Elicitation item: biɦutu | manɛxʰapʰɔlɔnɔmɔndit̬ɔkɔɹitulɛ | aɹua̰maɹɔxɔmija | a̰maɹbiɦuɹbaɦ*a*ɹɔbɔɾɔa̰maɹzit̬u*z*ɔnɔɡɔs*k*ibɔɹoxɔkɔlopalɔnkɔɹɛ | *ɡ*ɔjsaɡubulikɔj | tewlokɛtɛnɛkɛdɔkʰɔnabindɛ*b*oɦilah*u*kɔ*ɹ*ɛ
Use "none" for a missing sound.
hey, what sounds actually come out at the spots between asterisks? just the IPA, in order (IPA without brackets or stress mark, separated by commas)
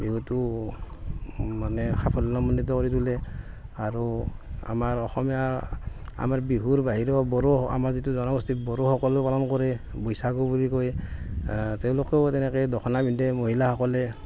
i, z, t, b, m, ɔ, l